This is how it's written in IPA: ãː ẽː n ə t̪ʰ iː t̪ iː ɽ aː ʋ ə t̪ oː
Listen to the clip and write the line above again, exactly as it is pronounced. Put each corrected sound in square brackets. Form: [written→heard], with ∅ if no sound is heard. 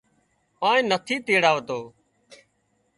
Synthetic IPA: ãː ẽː n ə t̪ʰ iː t̪ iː ɽ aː ʋ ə t̪ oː